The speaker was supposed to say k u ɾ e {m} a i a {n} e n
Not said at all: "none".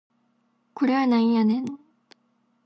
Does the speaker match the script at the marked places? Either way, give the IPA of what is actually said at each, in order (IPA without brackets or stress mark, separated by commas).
n, n